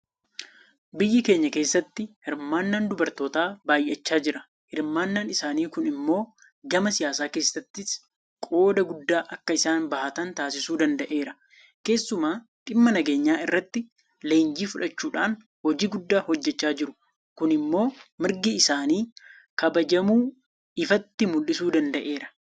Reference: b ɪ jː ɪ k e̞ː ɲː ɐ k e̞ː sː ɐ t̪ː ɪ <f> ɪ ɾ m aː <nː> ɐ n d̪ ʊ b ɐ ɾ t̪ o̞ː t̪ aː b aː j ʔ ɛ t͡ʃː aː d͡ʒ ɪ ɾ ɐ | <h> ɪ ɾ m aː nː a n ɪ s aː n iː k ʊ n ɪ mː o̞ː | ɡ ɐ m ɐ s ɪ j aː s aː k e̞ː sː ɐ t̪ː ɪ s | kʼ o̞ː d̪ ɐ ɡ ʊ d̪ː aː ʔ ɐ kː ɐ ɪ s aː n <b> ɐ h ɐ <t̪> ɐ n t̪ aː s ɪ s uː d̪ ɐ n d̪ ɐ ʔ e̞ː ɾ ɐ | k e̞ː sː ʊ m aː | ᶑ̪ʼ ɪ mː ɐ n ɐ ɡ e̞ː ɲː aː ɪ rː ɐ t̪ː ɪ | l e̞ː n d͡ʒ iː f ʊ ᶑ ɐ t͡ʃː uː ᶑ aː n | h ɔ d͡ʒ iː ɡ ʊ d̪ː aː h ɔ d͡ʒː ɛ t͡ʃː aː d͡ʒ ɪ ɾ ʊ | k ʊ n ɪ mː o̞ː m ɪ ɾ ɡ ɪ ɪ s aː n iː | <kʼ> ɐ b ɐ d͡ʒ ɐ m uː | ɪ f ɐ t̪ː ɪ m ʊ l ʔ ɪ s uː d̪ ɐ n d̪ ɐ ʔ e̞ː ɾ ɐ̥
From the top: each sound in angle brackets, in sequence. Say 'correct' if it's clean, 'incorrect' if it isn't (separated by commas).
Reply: incorrect, correct, correct, correct, correct, incorrect